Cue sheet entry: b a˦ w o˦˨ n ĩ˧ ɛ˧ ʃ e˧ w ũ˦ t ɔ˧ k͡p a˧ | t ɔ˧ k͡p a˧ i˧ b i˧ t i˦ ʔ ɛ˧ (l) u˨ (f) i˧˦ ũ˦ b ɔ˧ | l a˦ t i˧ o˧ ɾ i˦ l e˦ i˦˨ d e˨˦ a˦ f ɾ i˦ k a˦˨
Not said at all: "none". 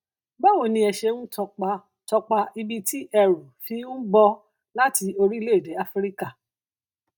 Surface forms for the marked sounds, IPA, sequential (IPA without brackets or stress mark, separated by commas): ɾ, f